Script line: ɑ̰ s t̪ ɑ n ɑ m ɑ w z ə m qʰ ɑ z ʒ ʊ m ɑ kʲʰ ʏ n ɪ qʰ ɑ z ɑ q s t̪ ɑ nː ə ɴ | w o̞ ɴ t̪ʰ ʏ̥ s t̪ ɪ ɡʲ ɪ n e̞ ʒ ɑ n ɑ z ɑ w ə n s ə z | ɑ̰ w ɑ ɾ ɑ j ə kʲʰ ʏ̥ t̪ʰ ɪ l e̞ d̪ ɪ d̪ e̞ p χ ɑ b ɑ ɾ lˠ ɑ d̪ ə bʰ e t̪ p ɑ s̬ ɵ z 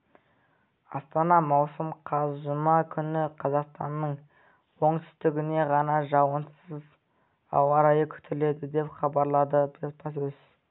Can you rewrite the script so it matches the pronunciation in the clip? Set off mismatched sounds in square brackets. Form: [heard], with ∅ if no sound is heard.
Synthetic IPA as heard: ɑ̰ s t̪ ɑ n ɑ m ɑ w [s] ə m qʰ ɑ z ʒ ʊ m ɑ kʲʰ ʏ n ɪ qʰ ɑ z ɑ q s t̪ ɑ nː ə ɴ | w o̞ ɴ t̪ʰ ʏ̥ s t̪ ɪ ɡʲ ɪ n e̞ [ʁ] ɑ n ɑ [ʒ] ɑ w ə n s ə z | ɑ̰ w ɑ ɾ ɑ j ə kʲʰ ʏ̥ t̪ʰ ɪ l e̞ d̪ ɪ d̪ e̞ p χ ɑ b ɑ ɾ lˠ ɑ d̪ ə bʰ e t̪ p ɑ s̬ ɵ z